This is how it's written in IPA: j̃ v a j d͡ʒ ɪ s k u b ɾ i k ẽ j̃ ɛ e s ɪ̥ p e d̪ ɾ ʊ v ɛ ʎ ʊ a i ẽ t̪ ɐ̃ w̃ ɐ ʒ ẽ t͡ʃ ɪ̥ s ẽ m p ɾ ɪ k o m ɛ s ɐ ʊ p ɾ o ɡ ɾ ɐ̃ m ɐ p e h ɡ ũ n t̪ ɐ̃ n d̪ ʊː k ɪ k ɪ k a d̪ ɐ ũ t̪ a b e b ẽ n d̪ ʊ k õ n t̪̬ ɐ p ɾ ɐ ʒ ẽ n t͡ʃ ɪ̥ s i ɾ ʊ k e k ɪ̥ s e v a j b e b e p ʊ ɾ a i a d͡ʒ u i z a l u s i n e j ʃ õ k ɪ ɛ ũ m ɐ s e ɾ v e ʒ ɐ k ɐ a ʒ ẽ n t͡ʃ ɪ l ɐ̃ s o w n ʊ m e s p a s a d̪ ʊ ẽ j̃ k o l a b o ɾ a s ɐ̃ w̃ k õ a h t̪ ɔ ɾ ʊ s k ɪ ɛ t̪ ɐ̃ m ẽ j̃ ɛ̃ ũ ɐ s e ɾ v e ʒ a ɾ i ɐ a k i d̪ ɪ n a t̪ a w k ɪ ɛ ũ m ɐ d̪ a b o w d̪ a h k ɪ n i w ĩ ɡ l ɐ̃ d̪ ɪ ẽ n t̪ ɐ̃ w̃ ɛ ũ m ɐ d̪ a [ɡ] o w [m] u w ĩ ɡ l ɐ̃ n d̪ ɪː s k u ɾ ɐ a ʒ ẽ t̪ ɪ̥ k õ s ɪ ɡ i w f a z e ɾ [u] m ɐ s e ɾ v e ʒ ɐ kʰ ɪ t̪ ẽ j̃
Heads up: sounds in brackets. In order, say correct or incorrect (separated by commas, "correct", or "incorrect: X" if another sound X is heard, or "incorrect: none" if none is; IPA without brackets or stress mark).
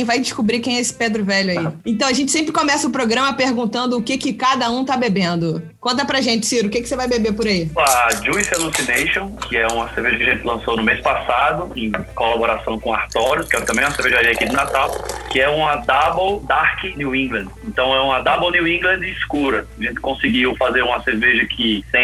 incorrect: b, incorrect: n, incorrect: ũ